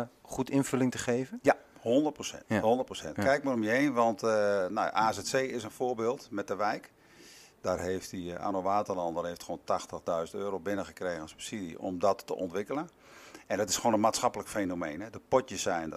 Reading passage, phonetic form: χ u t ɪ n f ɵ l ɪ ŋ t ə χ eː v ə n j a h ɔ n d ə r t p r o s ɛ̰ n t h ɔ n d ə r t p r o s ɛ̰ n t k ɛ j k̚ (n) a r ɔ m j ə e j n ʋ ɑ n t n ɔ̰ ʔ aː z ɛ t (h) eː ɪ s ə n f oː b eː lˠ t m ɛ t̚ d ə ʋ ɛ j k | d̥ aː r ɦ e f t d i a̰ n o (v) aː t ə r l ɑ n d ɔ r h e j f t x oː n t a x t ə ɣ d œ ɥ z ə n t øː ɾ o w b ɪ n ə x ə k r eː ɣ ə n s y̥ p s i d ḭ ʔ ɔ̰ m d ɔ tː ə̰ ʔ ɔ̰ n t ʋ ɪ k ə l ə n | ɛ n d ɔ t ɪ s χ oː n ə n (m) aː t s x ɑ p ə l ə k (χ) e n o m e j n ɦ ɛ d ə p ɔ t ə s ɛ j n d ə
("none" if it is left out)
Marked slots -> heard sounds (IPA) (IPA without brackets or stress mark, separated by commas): m, s, ʋ, m, f